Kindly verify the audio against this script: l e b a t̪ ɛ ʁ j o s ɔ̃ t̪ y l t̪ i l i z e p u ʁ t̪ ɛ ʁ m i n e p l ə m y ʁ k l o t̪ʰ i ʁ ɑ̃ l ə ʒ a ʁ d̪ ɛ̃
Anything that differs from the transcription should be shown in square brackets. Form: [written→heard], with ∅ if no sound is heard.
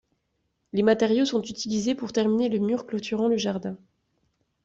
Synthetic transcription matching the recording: l e [b→m] a t̪ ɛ ʁ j o s ɔ̃ t̪ y [l→∅] t̪ i l i z e p u ʁ t̪ ɛ ʁ m i n e [p→∅] l ə m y ʁ k l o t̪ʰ [i→y] ʁ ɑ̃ l ə ʒ a ʁ d̪ ɛ̃